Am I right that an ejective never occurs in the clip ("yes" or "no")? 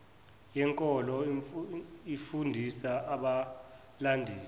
no